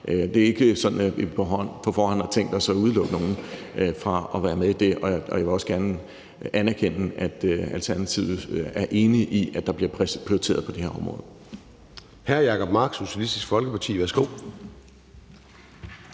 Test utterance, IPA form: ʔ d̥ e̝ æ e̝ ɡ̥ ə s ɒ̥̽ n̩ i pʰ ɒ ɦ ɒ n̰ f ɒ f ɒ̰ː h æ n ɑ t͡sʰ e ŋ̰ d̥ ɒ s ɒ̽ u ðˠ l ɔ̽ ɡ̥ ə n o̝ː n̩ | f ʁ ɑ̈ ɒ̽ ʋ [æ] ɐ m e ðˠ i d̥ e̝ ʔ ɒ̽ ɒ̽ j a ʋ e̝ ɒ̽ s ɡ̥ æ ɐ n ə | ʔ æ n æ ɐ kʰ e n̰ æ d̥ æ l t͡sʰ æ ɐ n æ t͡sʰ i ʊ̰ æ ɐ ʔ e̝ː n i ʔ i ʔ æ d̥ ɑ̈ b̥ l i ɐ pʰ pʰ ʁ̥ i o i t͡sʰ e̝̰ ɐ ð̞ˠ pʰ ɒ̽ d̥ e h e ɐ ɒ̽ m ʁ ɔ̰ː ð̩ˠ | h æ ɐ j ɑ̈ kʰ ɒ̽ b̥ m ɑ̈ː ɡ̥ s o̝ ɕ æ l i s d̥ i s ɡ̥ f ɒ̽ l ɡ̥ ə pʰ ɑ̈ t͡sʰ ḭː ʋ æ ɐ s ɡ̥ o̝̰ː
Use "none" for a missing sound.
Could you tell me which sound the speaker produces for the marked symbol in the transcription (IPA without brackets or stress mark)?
æː